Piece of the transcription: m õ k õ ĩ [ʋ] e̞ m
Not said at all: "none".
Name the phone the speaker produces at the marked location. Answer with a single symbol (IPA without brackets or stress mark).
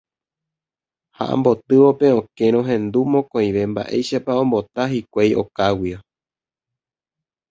ʋ